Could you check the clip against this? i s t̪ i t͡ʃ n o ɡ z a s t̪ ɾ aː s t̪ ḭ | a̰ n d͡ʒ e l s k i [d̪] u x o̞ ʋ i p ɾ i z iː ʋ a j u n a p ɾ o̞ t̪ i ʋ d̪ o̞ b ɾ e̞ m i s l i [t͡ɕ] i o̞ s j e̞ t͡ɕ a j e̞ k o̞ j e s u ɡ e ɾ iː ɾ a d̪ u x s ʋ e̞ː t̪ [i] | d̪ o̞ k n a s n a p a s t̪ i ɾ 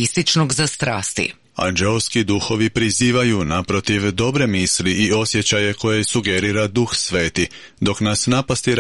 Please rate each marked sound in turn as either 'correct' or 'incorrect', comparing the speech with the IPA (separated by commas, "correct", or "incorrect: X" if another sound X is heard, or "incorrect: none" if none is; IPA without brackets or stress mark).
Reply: correct, incorrect: none, correct